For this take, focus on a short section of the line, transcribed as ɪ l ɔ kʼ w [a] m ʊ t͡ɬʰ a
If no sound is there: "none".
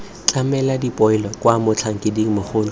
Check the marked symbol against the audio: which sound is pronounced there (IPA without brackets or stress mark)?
a